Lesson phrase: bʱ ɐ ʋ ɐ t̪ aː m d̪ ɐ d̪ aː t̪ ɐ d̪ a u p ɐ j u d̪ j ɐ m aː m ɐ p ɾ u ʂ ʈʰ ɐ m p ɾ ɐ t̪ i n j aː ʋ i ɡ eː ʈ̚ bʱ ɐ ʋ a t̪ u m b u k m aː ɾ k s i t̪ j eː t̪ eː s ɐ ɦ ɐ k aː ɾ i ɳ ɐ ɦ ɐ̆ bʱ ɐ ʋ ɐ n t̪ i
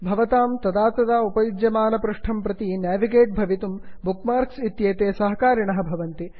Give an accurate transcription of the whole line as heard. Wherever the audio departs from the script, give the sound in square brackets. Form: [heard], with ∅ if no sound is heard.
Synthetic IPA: bʱ ɐ ʋ ɐ t̪ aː m [t̪] ɐ d̪ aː t̪ ɐ d̪ a u p ɐ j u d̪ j ɐ m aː [n] ɐ p ɾ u ʂ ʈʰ ɐ m p ɾ ɐ t̪ i n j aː ʋ i ɡ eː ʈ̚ bʱ ɐ ʋ [i] t̪ u m b u k m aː ɾ k s i t̪ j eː t̪ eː s ɐ ɦ ɐ k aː ɾ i ɳ ɐ ɦ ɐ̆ bʱ ɐ ʋ ɐ n t̪ i